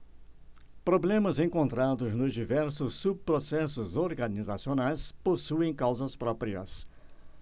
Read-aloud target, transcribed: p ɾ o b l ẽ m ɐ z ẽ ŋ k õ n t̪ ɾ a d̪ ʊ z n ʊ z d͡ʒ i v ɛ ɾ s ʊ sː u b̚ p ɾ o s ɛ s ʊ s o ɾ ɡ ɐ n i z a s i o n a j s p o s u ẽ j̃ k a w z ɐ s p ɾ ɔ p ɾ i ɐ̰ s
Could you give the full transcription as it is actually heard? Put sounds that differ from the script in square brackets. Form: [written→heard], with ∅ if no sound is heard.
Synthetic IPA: p ɾ o b l ẽ m ɐ z ẽ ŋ k õ n t̪ ɾ a d̪ ʊ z n ʊ z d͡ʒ i v ɛ ɾ s ʊ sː u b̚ p ɾ o s ɛ s ʊ [s→z] o ɾ ɡ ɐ n i z a s i o n a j s p o s u ẽ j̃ k a w z ɐ s p ɾ ɔ p ɾ i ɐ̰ s